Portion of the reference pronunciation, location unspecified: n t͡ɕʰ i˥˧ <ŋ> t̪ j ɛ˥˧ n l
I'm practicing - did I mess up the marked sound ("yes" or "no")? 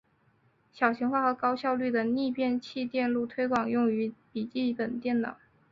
yes